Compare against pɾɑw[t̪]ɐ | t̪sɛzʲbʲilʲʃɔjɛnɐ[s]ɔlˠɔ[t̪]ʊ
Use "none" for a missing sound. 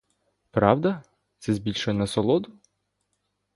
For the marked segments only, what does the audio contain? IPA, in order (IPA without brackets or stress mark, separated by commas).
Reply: d̪, s, d̪